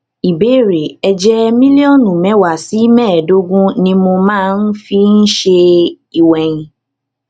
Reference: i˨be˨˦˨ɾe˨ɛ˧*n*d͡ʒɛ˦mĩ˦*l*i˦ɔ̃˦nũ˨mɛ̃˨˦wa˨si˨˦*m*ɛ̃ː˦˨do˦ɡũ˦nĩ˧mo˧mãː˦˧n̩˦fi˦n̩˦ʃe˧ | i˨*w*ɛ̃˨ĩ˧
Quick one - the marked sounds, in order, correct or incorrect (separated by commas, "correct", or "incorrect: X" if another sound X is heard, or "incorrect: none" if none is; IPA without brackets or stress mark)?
incorrect: none, correct, correct, correct